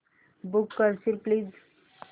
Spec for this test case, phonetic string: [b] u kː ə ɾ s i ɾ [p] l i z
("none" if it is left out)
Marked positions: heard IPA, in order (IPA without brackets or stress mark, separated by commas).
b, p